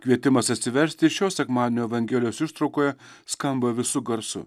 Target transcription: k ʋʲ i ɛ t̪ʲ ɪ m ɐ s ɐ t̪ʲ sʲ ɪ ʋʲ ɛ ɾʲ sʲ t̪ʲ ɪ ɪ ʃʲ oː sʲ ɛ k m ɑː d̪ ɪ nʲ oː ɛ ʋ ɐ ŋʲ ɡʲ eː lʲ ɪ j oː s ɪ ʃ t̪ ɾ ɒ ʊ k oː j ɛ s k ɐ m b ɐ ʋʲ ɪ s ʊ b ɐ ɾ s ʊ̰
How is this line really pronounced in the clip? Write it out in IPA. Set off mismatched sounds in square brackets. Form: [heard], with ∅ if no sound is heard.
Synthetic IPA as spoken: k ʋʲ i ɛ t̪ʲ ɪ m ɐ s ɐ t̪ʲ sʲ ɪ ʋʲ ɛ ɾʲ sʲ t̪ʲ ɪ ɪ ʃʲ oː sʲ ɛ k m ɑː d̪ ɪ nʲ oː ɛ ʋ ɐ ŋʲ ɡʲ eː lʲ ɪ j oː s ɪ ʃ t̪ ɾ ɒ ʊ k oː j ɛ s k ɐ m b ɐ ʋʲ ɪ s ʊ [ɡ] ɐ ɾ s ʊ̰